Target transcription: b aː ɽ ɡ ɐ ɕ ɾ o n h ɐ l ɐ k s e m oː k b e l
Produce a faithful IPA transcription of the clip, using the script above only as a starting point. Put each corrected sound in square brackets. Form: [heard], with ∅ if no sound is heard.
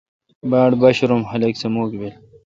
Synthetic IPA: b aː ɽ [b] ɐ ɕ ɾ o [m] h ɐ l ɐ k s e m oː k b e l